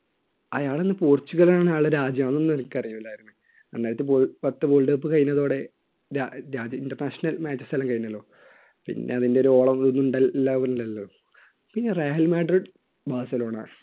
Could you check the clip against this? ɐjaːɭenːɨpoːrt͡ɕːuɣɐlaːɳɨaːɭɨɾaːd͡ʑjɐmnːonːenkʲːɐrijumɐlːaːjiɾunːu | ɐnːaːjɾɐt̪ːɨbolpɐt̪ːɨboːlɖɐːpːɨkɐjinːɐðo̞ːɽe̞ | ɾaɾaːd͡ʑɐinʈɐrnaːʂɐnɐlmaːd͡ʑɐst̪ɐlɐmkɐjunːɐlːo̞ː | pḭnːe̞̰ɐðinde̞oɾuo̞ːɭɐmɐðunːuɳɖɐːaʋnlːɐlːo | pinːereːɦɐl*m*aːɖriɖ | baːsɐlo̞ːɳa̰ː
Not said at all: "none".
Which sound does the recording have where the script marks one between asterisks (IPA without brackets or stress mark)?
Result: m